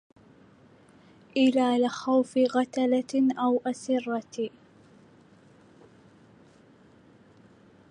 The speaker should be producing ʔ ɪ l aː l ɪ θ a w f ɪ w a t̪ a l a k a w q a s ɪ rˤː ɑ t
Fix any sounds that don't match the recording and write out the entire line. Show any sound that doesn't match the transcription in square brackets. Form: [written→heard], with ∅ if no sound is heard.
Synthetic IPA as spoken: ʔ ɪ l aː l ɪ [θ→x] a w f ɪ [w→ɣ] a t̪ a l a [k→ʔ] a w [q→ʔ] a s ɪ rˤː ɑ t